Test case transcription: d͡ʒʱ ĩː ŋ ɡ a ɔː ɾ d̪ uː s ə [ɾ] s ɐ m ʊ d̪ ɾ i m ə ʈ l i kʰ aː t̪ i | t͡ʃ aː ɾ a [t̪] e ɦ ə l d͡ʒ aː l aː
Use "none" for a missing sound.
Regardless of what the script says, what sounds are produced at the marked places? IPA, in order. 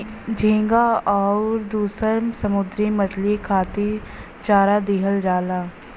ɾ, d̪

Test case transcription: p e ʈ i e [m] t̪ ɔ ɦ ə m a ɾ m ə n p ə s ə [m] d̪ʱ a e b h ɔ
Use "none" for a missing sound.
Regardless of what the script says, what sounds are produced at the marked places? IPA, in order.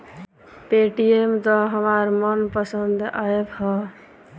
m, n

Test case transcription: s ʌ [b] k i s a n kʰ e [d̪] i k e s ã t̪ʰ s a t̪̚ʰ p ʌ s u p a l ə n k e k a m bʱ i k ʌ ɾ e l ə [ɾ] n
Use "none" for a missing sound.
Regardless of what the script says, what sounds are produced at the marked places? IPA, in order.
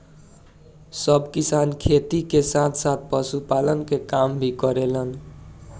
b, t̪, none

